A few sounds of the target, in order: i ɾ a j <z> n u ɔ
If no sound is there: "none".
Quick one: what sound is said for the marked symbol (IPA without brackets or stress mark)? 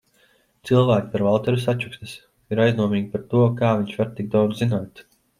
z